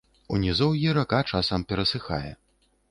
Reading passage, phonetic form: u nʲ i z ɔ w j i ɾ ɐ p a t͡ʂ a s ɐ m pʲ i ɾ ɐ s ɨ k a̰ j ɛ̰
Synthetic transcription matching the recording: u nʲ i z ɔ w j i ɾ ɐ k a t͡ʂ a s ɐ m pʲ ɛ ɾ ɐ s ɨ x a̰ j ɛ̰